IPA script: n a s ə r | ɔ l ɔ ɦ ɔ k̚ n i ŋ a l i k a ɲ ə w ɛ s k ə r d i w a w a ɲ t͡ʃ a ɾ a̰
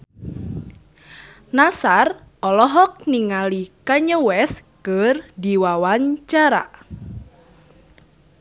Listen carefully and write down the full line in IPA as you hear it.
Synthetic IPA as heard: n a s a r | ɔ l ɔ ɦ ɔ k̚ n i ŋ a l i k a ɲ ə w ɛ s k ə r d i w a w a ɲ t͡ʃ a ɾ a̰